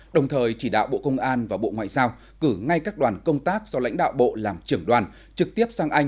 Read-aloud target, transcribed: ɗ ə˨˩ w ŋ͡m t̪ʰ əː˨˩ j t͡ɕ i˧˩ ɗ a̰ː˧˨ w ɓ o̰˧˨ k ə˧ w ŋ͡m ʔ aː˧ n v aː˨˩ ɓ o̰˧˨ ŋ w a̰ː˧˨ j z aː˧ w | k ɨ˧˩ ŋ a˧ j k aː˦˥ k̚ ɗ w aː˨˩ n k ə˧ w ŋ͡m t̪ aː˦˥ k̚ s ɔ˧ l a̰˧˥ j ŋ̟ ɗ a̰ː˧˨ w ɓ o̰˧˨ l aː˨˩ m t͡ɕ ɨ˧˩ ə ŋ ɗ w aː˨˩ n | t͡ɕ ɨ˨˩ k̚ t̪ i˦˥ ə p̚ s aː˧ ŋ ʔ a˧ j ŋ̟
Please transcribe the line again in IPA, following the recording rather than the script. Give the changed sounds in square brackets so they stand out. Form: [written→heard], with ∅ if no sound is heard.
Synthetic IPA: ɗ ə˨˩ w ŋ͡m t̪ʰ əː˨˩ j t͡ɕ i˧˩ ɗ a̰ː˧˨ w ɓ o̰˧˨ k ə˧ w ŋ͡m ʔ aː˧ n v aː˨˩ ɓ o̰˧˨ ŋ w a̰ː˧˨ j z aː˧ w | k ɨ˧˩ ŋ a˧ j k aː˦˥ k̚ ɗ w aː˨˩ n k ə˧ w ŋ͡m t̪ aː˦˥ k̚ [s→z] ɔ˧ l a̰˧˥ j ŋ̟ ɗ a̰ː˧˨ w ɓ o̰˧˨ l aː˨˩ m t͡ɕ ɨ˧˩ ə ŋ ɗ w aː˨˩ n | t͡ɕ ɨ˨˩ k̚ t̪ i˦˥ ə p̚ s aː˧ ŋ ʔ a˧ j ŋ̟

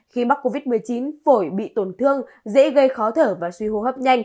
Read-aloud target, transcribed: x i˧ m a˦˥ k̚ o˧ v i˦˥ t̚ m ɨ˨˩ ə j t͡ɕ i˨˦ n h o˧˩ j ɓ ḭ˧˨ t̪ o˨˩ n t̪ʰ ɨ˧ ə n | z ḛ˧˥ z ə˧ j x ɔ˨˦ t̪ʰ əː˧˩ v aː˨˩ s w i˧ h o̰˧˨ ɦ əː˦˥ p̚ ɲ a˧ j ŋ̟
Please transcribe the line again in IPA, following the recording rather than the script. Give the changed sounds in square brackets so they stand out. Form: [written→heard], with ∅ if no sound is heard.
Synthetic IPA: x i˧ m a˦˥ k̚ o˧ v i˦˥ t̚ m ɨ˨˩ ə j t͡ɕ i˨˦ n [h→f] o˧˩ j ɓ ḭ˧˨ t̪ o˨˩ n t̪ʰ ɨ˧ ə [n→ŋ] | z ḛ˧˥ [z→ɣ] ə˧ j x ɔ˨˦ t̪ʰ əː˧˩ v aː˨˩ s w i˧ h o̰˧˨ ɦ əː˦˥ p̚ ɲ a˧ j ŋ̟

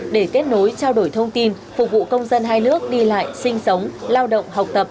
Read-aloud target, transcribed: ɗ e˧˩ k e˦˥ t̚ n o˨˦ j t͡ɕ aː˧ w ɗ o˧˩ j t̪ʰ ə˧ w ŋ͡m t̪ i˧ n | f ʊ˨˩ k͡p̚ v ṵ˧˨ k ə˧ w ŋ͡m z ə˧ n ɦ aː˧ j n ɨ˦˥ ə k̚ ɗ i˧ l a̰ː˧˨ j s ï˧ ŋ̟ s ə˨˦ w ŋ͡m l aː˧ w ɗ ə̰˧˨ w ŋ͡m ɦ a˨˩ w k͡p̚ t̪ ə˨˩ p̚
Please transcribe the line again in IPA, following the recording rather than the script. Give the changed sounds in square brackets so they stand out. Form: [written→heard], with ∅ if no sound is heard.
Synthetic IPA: ɗ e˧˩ k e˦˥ t̚ n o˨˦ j t͡ɕ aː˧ w ɗ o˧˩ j t̪ʰ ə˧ w ŋ͡m t̪ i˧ n | f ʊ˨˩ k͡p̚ v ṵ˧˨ k ə˧ w ŋ͡m z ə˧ n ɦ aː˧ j n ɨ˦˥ ə k̚ ɗ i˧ l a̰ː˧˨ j s ï˧ ŋ̟ s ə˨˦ w ŋ͡m l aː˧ w ɗ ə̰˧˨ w ŋ͡m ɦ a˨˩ w k͡p̚ t̪ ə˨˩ p̚

